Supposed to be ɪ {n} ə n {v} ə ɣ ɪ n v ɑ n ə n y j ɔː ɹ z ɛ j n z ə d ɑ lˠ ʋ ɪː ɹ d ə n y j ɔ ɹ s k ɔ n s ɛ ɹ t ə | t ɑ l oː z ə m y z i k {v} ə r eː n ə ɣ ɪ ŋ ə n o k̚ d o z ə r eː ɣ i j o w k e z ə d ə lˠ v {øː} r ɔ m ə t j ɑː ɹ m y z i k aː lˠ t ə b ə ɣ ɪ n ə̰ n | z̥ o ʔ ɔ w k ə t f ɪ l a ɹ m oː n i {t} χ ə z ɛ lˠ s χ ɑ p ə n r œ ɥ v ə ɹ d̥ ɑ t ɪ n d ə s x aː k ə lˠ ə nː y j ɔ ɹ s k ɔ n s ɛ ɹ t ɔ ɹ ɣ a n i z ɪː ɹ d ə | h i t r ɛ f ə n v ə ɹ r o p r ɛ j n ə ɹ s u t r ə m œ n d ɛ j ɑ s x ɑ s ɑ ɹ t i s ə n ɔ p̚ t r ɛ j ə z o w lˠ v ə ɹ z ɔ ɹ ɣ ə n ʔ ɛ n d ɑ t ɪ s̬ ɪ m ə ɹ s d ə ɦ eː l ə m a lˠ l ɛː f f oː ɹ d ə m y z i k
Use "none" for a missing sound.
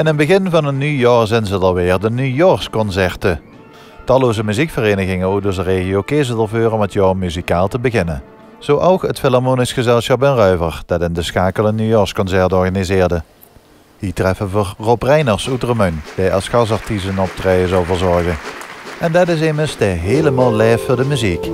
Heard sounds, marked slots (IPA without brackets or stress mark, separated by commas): n, b, f, øː, s